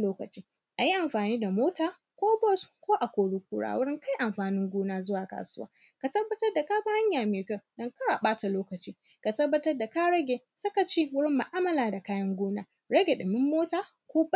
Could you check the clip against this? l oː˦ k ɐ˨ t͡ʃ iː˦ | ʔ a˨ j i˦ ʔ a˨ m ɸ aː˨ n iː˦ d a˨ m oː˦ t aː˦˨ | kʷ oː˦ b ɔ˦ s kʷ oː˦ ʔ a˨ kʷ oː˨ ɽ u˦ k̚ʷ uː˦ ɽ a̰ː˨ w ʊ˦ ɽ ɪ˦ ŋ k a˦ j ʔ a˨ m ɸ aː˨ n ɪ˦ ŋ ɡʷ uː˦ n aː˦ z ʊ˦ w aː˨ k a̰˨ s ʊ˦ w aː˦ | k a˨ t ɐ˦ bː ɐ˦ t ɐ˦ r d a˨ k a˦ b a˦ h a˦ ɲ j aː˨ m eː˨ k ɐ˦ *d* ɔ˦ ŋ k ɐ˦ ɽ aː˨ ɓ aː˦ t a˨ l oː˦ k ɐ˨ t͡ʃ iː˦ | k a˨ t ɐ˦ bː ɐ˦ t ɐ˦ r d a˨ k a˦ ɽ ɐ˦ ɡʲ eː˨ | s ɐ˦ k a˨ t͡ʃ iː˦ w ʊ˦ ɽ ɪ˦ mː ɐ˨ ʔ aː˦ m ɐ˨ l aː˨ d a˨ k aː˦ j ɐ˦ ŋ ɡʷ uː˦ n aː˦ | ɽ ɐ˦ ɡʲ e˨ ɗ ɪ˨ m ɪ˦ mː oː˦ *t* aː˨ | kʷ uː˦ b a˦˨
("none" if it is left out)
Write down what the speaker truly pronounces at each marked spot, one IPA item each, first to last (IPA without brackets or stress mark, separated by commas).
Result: d, t